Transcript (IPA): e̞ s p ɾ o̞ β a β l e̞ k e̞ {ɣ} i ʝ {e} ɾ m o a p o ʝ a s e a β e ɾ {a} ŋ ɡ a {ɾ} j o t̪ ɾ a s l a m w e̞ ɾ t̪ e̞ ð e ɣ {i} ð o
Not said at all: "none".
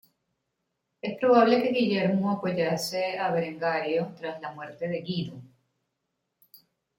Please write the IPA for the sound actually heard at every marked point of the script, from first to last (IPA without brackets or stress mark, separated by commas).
ɣ, e, e, ɾ, i